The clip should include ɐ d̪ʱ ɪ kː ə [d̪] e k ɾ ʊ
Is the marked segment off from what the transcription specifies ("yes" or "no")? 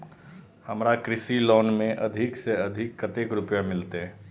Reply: yes